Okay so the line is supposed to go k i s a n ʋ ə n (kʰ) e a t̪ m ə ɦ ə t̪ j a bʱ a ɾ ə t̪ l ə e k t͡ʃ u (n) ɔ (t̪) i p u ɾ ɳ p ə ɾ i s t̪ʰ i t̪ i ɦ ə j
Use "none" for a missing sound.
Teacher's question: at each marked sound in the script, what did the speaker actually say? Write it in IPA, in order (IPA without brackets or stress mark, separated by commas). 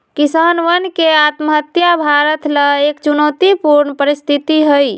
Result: k, n, t̪